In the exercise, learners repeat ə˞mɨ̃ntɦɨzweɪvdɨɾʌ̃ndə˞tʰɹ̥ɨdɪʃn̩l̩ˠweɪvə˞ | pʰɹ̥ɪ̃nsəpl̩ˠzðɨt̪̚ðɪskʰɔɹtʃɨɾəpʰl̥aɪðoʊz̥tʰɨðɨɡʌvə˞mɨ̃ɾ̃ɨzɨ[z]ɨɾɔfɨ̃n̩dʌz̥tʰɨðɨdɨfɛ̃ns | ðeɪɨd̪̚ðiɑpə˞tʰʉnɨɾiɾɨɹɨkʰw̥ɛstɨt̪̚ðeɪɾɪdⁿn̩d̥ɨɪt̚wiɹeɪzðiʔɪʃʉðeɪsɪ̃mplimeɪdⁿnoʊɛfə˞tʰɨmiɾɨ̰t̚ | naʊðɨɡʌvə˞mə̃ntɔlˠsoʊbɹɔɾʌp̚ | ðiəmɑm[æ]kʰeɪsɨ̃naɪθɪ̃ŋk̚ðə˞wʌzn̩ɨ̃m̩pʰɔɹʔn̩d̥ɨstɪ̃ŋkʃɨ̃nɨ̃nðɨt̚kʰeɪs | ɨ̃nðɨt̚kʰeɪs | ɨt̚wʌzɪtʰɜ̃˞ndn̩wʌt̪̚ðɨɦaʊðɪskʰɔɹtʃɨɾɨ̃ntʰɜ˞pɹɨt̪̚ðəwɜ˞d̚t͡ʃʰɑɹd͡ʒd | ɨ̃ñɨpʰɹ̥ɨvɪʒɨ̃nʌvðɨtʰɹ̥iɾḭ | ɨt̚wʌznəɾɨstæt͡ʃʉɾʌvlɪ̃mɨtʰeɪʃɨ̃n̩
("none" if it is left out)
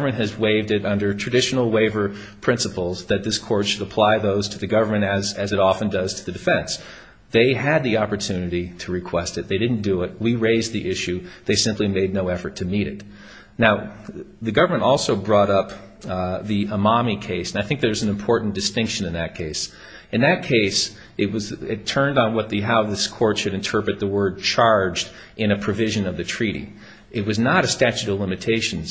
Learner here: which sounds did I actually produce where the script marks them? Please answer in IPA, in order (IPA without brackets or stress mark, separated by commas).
z, i